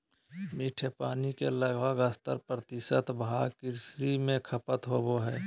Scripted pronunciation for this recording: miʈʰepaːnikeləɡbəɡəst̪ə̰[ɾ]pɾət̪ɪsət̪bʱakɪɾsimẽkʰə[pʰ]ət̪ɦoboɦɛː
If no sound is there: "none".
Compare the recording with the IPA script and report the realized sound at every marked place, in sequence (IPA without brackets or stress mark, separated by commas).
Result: ɾ, p